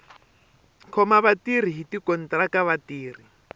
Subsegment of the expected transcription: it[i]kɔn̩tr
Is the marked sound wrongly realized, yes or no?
no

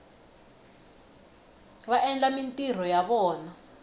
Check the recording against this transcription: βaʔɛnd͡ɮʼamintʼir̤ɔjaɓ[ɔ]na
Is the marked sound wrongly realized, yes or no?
yes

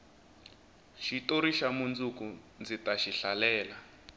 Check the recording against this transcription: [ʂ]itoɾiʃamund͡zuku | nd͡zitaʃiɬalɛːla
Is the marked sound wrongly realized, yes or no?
yes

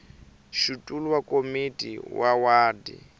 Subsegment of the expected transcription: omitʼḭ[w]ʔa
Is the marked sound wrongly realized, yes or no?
no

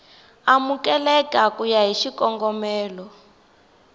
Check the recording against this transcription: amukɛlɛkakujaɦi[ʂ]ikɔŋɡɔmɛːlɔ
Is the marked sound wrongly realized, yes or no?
yes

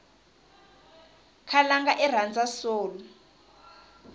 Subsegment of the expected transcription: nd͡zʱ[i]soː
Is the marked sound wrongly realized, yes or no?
yes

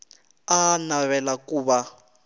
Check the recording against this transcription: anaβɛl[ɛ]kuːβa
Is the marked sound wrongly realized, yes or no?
yes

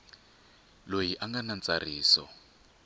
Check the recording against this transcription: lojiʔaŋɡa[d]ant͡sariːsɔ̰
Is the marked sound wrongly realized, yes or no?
yes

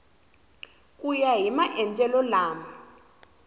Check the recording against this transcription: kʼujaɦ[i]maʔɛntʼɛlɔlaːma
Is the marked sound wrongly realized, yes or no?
no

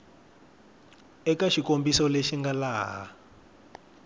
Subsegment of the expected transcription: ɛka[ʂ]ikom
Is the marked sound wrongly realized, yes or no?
yes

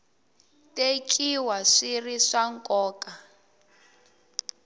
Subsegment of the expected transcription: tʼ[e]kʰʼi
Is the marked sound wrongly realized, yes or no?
no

